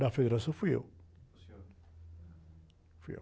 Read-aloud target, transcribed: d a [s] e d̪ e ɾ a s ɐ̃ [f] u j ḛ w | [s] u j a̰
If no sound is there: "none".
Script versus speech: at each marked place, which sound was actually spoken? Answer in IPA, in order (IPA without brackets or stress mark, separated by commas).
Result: f, f, f